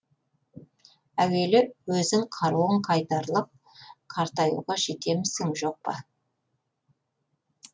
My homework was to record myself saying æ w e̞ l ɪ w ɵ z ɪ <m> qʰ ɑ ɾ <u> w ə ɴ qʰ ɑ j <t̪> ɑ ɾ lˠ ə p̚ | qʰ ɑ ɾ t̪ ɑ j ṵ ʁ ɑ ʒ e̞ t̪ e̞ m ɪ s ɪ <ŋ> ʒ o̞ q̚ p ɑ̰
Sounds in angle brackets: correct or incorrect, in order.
incorrect: ŋ, correct, correct, correct

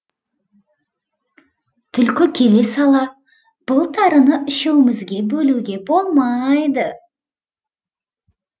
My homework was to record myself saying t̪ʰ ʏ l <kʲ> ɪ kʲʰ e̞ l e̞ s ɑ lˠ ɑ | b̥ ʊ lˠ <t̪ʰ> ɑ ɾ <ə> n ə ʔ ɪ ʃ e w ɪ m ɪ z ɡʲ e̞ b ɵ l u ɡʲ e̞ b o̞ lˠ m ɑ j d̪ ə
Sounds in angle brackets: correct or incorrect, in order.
correct, correct, correct

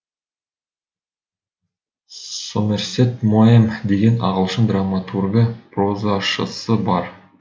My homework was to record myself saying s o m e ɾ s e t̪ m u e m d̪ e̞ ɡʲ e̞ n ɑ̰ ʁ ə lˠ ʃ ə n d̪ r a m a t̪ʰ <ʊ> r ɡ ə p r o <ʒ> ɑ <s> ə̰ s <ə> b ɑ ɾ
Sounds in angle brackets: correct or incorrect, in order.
incorrect: u, incorrect: z, incorrect: ʃ, correct

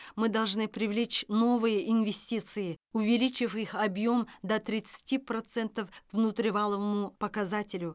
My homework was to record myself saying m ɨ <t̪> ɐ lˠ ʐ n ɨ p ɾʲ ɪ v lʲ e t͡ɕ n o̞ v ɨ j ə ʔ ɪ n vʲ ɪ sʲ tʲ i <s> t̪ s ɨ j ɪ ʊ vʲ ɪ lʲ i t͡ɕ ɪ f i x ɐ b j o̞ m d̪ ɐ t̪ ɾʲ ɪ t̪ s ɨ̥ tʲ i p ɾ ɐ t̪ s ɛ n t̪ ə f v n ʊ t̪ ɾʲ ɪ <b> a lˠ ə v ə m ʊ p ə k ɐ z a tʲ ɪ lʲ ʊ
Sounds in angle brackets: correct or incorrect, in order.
incorrect: d̪, incorrect: none, incorrect: v

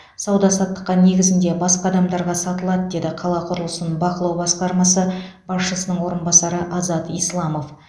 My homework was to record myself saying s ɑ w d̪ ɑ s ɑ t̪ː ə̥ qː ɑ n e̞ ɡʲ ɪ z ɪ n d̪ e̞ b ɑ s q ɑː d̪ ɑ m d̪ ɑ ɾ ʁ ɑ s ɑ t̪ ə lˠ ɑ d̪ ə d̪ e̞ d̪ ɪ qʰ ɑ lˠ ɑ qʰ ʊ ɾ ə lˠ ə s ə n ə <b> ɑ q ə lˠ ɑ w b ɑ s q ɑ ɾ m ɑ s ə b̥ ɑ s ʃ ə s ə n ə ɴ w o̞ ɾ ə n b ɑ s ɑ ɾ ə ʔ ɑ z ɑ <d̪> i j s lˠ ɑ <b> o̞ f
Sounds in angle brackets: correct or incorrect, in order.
correct, incorrect: t̪, incorrect: m

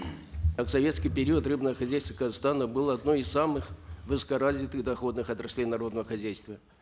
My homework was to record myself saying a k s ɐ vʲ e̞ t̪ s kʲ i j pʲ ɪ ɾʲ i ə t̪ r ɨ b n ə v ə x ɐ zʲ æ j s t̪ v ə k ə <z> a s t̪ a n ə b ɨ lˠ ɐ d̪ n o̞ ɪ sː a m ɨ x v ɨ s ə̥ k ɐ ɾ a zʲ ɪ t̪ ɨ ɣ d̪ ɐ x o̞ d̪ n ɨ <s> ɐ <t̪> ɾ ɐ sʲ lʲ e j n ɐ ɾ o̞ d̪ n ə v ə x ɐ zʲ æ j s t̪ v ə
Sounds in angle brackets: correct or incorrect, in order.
correct, incorrect: x, correct

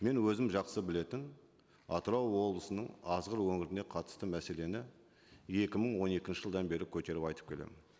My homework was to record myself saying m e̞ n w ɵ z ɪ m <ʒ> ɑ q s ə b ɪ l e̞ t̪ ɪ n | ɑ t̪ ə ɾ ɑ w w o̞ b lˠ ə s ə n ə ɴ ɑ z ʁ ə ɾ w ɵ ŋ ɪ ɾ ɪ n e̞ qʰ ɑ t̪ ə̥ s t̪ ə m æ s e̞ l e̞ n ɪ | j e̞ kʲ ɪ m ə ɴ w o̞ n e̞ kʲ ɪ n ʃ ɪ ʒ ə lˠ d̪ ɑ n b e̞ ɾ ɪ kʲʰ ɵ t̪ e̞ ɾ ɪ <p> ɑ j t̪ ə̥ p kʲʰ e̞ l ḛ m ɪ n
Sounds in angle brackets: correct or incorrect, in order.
correct, correct

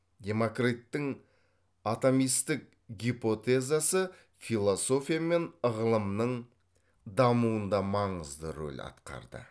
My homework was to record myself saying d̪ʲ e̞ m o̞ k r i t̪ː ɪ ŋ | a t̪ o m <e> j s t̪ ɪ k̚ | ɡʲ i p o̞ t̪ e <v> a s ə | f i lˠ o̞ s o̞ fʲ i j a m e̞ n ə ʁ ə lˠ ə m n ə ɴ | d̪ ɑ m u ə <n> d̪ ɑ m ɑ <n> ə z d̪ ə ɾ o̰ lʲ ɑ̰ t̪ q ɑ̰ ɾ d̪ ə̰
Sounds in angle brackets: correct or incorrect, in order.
incorrect: i, incorrect: z, correct, incorrect: ɴ

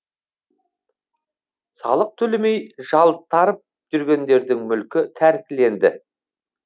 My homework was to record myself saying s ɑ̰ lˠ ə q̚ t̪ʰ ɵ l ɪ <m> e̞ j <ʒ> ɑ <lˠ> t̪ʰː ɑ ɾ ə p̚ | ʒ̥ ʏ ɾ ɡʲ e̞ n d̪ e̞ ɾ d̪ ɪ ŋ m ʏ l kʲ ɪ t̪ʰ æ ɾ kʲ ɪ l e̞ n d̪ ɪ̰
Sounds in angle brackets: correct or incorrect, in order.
correct, correct, correct

